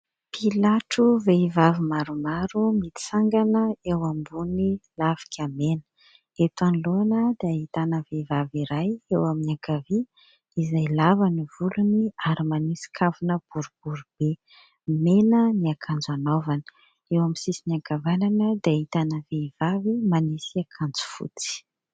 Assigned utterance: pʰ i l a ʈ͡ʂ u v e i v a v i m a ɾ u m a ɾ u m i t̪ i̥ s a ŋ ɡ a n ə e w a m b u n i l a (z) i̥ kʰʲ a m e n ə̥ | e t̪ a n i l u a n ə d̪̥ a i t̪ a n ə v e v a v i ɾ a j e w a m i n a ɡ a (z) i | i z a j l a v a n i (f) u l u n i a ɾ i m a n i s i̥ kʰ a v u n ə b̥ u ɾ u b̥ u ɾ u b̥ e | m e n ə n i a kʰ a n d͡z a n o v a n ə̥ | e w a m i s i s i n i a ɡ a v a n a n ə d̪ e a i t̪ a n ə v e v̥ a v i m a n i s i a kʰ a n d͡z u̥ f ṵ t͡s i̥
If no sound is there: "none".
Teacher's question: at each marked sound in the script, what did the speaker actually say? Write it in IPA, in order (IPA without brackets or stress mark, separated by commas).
v, v, v